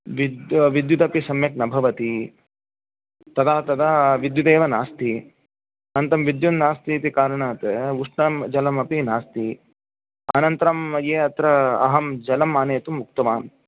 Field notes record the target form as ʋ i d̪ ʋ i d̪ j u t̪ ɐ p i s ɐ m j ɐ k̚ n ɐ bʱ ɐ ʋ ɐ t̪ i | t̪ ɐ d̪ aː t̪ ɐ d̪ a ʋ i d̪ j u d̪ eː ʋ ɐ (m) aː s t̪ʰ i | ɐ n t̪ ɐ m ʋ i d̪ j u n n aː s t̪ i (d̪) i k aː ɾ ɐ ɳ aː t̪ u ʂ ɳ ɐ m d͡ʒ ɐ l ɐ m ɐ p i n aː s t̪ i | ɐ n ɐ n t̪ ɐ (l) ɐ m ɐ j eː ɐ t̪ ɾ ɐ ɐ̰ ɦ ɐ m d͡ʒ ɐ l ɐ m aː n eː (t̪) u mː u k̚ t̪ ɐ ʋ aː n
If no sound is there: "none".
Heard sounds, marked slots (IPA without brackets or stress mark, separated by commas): n, t̪, ɾ, t̪